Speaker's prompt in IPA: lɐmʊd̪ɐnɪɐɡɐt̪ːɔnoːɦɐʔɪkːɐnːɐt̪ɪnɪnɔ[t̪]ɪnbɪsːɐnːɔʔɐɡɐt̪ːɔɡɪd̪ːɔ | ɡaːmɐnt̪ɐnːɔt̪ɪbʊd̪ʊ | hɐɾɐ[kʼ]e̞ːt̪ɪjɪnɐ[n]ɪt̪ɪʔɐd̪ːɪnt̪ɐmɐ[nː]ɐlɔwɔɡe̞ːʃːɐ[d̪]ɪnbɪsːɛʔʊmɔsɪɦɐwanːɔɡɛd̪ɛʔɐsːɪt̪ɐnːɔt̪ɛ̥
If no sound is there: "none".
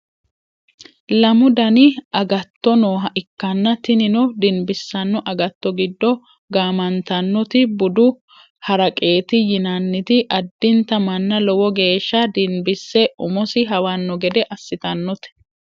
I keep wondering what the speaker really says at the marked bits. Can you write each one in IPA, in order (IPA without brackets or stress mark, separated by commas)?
d̪, kʼ, nː, nː, d̪